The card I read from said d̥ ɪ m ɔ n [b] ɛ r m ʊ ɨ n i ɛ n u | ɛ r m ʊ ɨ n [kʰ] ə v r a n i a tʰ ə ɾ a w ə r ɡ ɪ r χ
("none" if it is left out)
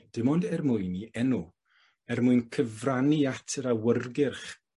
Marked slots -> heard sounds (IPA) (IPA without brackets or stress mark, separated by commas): d, kʰ